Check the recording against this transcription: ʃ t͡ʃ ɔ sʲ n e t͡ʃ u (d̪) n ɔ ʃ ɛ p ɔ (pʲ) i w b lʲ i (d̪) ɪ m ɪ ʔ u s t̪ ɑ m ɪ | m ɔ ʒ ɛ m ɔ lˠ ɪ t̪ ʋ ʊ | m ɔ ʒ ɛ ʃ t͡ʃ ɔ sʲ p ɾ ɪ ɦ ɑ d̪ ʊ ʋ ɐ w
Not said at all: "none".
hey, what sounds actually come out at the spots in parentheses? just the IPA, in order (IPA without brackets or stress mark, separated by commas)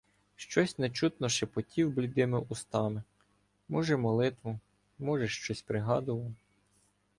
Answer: t̪, tʲ, d̪